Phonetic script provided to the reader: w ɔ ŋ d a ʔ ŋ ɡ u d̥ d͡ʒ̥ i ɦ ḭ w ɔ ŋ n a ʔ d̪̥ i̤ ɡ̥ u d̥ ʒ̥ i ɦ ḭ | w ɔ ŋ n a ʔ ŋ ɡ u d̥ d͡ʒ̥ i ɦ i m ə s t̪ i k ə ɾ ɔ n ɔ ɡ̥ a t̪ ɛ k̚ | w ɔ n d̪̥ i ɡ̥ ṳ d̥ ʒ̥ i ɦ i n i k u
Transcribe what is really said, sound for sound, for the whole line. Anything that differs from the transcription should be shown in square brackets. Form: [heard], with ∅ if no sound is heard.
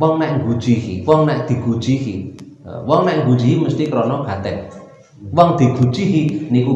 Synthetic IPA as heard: w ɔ ŋ [n] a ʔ ŋ ɡ u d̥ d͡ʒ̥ i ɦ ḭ w ɔ ŋ n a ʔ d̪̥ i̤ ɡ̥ u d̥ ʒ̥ i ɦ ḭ | w ɔ ŋ n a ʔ ŋ ɡ u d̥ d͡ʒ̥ i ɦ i m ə s t̪ i k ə ɾ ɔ n ɔ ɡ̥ a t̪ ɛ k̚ | w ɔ [ŋ] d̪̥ i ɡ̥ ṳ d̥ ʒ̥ i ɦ i n i k u